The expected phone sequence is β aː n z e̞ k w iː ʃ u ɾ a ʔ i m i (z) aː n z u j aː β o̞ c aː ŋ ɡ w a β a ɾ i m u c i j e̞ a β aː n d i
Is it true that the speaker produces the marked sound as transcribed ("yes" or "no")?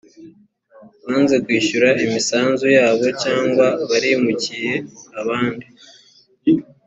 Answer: no